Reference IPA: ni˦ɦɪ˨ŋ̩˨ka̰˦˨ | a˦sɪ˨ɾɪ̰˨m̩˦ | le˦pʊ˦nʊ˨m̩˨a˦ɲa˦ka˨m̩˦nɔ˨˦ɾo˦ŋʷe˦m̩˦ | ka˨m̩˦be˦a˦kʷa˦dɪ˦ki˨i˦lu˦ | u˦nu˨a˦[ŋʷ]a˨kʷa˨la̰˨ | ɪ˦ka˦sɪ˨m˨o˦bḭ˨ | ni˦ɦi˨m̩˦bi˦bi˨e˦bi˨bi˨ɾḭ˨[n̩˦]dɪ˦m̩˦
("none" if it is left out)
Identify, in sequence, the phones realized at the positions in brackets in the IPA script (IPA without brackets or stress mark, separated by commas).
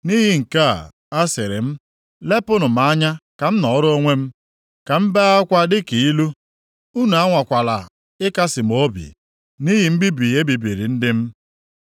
ŋʷ, n̩˦